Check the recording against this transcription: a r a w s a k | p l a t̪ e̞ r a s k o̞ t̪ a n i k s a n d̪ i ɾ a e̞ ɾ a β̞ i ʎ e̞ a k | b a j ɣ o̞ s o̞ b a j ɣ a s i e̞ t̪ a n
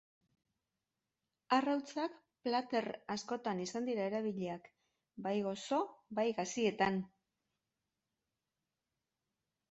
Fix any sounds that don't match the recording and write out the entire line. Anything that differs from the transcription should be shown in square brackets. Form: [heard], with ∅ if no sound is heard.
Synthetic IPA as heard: a r a w [t͡s] a k | p l a t̪ e̞ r a s k o̞ t̪ a n i [∅] s a n d̪ i ɾ a e̞ ɾ a β̞ i ʎ e̞ a k | b a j ɣ o̞ s o̞ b a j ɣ a s i e̞ t̪ a n